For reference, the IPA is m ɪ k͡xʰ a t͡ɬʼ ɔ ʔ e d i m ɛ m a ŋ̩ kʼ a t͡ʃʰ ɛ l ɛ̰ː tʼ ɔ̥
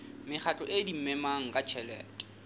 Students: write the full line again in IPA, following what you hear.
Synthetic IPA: m ɪ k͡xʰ a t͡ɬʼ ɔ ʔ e d i m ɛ m a ŋ̩ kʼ a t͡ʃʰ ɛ l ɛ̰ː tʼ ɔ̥